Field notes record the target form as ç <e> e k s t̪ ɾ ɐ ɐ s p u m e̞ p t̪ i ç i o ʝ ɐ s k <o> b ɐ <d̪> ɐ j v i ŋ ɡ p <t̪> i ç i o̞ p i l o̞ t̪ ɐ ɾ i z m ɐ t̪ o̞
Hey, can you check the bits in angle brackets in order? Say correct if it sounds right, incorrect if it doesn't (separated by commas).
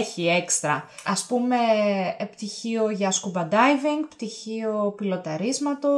incorrect, incorrect, correct, correct